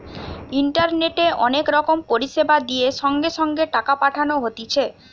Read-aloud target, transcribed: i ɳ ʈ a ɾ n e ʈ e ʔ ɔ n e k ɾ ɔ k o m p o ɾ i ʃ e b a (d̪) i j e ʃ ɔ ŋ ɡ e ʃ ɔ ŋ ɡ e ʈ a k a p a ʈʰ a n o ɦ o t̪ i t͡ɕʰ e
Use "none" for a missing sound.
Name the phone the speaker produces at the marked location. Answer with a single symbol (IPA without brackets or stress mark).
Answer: d̪